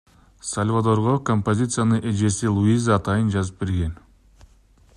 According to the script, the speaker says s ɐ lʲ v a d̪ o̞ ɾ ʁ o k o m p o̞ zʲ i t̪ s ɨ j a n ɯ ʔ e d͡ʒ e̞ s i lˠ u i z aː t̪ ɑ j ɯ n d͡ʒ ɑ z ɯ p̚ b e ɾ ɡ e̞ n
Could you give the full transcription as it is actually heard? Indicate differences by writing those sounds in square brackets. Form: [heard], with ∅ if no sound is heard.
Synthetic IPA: s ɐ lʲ v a d̪ o̞ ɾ ʁ o k o m p o̞ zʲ i t̪ s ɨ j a n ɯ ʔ e d͡ʒ e̞ s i lˠ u i z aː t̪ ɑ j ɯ n d͡ʒ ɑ z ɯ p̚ b e ɾ ɡ e̞ n